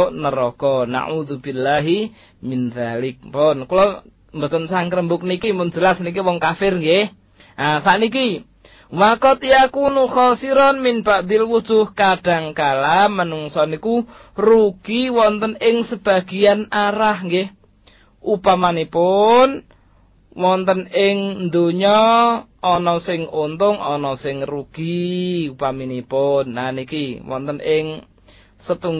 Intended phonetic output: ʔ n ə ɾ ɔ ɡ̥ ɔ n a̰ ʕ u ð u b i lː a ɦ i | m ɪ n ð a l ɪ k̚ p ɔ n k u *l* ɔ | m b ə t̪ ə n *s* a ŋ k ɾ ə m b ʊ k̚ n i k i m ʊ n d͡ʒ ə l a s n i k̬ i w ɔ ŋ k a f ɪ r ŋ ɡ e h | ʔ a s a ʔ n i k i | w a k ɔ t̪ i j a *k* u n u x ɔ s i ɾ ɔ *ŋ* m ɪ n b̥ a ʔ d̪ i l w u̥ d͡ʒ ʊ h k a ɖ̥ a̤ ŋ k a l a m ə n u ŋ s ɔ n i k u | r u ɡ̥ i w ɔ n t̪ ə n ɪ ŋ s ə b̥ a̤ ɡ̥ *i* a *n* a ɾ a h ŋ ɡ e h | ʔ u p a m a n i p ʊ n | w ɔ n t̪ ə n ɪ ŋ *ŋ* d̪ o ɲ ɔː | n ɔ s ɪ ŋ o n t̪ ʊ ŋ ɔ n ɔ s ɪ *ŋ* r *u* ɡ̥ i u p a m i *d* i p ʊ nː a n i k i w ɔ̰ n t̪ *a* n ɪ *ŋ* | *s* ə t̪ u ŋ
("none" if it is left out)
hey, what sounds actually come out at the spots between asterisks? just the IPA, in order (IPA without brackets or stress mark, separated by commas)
l, s, k, n, i, n, n, ŋ, u, n, ə, ŋ, s